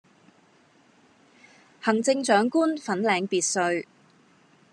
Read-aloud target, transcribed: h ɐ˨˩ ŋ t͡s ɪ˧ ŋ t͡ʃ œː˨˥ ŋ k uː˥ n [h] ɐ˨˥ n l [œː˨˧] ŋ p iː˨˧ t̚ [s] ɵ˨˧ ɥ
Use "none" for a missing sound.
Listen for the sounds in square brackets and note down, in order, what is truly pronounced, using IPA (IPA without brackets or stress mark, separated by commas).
f, ɛː˨˧, s